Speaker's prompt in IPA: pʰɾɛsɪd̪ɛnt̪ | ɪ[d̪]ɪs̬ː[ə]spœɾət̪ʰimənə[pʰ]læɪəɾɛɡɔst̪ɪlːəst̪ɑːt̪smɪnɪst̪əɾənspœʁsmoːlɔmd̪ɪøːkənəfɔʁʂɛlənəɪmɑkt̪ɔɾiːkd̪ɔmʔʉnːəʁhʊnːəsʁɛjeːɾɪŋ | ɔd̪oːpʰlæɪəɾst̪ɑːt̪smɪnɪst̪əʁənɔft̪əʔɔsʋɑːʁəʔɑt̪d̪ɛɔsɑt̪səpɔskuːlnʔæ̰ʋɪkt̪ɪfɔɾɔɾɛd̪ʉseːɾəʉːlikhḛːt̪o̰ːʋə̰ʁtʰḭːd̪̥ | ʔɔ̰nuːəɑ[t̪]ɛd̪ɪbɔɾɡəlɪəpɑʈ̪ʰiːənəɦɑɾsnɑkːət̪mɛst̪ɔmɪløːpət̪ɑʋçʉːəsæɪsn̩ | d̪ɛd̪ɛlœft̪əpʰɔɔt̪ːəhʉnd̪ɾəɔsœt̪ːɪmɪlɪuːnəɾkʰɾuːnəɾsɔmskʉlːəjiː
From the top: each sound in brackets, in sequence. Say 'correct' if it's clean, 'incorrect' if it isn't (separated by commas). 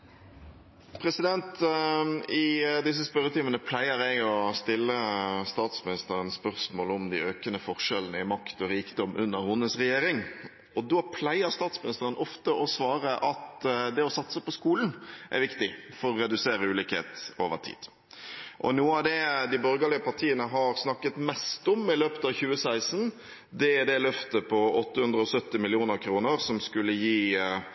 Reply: correct, correct, correct, incorrect